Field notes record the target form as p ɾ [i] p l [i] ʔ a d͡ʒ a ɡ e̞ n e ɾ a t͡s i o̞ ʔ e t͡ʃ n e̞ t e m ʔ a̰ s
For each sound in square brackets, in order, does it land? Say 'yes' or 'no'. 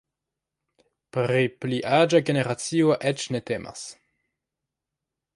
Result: yes, yes

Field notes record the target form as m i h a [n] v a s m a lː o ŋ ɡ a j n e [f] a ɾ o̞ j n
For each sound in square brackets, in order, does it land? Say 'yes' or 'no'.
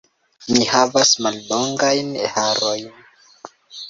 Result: no, no

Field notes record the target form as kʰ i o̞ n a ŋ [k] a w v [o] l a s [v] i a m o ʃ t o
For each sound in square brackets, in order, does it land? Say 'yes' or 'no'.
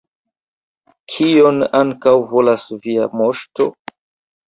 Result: yes, yes, yes

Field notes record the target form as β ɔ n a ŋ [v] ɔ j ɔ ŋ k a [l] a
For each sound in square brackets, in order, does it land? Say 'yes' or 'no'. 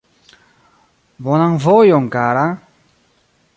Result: yes, no

